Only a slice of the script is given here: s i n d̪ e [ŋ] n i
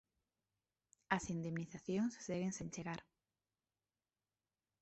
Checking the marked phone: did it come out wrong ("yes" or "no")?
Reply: yes